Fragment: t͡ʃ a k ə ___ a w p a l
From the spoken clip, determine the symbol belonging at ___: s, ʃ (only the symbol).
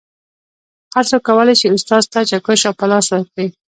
ʃ